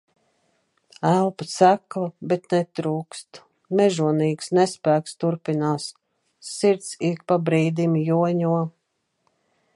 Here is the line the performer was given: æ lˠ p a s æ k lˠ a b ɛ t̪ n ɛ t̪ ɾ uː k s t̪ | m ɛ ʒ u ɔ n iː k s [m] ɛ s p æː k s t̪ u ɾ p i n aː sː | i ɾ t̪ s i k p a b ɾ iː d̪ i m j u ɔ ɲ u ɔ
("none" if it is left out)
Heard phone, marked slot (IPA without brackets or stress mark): n